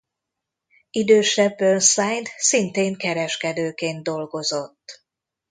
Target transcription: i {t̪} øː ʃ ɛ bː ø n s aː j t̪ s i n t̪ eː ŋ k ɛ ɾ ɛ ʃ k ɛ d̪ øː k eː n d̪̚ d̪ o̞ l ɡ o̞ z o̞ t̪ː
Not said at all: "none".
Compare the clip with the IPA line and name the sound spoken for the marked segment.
d̪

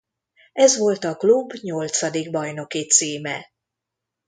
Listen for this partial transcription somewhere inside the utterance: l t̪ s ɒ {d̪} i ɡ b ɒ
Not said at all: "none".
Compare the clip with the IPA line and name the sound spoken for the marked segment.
d̪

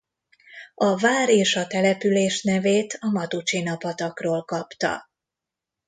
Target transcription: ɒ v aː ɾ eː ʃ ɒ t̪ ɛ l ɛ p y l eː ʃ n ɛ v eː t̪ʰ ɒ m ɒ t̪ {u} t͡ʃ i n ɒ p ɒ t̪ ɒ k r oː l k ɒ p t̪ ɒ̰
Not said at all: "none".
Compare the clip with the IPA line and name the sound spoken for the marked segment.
u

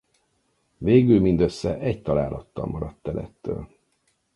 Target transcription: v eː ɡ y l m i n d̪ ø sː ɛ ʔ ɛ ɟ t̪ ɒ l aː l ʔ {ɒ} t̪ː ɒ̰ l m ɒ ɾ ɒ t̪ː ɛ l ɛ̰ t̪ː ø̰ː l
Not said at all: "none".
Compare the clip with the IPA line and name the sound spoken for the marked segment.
ɒ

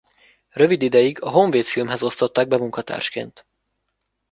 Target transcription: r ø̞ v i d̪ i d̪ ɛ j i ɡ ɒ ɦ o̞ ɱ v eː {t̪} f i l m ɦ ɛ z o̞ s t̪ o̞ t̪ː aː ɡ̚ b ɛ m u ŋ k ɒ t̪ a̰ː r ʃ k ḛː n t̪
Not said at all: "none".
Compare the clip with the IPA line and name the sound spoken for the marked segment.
t̪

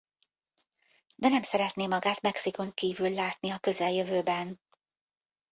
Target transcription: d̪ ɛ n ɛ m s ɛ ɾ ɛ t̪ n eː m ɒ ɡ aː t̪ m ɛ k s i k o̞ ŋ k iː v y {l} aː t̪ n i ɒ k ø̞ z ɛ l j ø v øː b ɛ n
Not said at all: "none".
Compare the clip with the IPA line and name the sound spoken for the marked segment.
lː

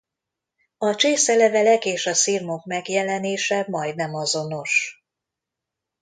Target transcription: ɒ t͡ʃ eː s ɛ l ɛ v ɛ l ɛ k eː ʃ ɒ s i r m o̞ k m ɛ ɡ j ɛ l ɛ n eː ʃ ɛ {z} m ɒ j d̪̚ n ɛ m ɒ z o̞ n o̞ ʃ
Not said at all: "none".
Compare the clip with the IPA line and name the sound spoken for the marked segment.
none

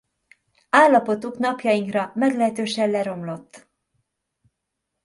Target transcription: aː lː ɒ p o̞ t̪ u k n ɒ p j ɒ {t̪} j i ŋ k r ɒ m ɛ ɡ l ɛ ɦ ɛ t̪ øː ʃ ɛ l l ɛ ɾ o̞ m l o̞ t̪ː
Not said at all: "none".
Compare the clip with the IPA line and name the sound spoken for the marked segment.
none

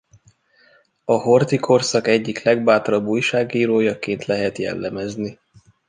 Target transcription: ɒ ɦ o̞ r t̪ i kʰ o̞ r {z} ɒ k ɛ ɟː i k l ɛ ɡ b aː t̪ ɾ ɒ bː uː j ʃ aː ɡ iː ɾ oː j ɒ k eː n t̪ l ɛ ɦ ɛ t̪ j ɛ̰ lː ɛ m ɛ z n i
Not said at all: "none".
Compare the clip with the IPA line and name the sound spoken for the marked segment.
s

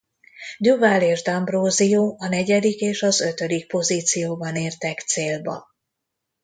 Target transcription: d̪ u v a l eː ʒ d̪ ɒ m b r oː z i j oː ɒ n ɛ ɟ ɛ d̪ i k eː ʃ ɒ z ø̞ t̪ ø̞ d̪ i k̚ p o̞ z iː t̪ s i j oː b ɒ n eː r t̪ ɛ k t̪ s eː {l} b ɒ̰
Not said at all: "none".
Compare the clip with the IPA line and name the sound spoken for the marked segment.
l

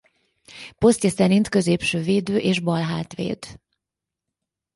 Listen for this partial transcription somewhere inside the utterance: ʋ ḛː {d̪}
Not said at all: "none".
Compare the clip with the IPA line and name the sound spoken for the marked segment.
d̪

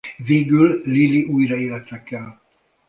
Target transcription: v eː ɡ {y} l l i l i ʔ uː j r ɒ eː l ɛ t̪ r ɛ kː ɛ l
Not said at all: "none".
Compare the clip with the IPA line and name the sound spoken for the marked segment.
y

